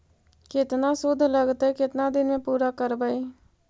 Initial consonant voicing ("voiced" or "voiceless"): voiceless